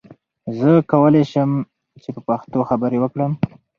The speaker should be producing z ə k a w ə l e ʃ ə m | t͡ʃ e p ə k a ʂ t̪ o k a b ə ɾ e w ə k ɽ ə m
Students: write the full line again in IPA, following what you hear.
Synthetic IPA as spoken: z ə k a w ə l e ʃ ə m | t͡ʃ e p ə p a x t̪ o x a b ə ɾ e w ə k ɽ ə m